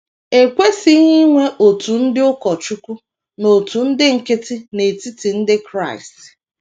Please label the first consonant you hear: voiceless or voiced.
voiceless